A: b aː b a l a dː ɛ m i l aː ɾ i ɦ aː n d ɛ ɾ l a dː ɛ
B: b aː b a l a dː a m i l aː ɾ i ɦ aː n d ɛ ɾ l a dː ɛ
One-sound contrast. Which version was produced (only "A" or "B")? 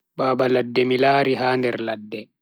A